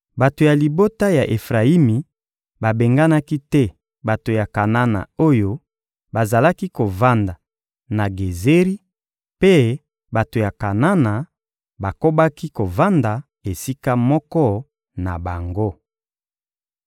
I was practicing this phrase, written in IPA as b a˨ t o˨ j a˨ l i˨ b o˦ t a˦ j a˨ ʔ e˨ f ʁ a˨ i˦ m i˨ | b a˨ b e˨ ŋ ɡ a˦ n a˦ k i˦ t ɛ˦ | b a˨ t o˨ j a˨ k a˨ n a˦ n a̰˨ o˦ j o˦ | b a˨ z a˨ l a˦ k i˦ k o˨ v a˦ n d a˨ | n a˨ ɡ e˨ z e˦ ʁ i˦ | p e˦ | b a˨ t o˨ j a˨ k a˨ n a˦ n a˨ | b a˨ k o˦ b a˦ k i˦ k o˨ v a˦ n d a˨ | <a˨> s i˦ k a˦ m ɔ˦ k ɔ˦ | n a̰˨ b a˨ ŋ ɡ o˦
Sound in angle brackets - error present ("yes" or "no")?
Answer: yes